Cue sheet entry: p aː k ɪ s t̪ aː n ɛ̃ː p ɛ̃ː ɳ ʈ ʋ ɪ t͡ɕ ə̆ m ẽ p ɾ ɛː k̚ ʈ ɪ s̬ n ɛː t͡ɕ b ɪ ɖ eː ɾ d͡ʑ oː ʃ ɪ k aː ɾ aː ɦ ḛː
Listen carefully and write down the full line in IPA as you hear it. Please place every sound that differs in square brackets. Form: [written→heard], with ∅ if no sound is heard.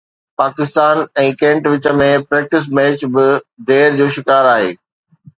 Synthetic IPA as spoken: p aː k ɪ s t̪ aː n ɛ̃ː [p→k] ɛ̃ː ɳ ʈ ʋ ɪ t͡ɕ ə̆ m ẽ p ɾ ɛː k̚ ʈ ɪ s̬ [n→m] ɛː t͡ɕ b ɪ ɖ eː ɾ d͡ʑ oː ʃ ɪ k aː ɾ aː ɦ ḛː